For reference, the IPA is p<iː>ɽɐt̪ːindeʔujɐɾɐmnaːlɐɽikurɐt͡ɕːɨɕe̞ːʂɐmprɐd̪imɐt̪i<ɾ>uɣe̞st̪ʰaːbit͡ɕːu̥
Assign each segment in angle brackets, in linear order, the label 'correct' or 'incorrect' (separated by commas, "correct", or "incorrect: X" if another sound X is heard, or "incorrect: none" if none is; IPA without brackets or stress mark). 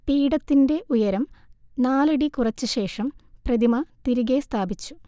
correct, correct